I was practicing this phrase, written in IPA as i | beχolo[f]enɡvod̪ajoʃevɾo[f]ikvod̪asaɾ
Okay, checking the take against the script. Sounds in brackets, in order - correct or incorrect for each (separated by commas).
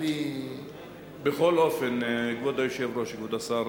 correct, incorrect